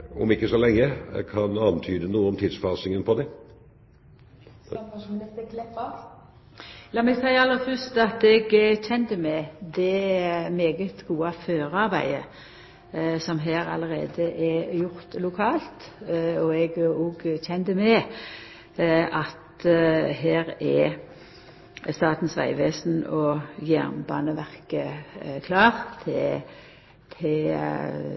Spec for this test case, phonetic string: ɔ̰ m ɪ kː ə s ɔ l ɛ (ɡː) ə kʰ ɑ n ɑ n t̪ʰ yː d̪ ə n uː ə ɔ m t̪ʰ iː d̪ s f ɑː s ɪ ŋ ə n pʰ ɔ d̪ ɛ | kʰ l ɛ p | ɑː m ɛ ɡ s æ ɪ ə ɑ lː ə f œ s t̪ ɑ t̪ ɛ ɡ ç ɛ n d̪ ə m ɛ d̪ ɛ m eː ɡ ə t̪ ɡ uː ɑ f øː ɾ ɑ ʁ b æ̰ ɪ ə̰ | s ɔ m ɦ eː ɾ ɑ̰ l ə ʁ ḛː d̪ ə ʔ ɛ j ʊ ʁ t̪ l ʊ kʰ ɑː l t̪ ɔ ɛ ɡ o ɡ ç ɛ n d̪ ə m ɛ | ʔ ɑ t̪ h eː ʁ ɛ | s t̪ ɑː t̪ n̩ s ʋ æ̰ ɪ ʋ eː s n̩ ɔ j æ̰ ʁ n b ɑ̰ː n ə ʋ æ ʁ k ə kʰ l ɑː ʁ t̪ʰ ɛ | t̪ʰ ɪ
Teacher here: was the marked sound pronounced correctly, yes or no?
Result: no